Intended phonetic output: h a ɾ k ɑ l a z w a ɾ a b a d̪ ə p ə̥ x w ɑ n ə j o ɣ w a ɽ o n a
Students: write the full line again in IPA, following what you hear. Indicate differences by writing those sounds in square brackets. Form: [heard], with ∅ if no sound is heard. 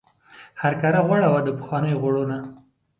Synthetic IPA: h a ɾ k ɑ [ɾ] a [ɣ] w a [ɽ] a [w] a d̪ ə p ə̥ x w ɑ n ə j o ɣ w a ɽ o n a